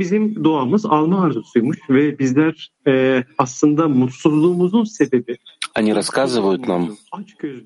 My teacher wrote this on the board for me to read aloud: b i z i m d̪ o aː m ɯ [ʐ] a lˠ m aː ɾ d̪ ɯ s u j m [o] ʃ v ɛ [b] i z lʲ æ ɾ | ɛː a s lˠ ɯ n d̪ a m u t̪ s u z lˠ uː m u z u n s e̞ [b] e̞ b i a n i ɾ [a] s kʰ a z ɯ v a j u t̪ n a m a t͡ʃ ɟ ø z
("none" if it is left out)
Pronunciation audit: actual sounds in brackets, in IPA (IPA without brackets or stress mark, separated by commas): z, u, b, b, a